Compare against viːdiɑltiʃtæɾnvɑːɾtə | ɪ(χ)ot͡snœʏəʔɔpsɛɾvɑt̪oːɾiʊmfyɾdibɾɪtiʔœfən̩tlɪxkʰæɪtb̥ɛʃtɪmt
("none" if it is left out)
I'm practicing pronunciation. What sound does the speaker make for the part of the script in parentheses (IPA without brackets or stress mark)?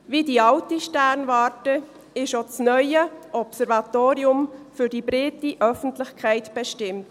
ʃ